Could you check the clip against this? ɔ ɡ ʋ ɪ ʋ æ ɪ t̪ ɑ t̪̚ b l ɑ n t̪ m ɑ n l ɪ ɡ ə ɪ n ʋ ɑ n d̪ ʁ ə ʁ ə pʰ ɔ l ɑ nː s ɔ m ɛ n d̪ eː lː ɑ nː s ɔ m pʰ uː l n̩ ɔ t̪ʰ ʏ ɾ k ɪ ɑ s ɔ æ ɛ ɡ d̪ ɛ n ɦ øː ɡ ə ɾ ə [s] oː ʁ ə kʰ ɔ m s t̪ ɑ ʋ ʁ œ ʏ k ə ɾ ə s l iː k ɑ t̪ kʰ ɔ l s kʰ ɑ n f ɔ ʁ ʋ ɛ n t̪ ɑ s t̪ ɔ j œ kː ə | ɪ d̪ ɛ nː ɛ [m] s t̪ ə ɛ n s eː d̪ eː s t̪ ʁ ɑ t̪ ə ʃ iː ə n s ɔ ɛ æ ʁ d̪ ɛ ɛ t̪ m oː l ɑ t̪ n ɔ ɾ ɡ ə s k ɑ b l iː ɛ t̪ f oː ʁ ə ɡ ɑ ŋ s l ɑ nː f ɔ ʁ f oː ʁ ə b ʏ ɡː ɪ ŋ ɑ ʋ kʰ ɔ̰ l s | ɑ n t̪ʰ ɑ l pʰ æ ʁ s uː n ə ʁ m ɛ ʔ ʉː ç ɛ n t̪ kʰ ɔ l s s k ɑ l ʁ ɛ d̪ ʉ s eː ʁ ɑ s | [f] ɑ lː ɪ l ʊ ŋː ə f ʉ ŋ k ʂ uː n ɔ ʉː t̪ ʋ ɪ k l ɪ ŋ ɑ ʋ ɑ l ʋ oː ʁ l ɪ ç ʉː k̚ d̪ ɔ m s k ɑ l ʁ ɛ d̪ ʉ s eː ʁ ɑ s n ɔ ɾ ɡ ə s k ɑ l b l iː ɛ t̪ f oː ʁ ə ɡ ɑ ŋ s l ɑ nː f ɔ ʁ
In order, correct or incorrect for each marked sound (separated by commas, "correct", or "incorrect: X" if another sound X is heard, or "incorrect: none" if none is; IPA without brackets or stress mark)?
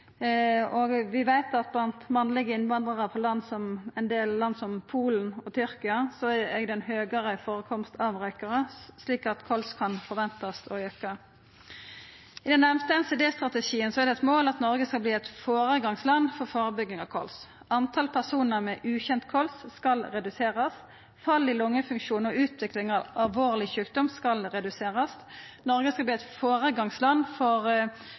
incorrect: f, correct, correct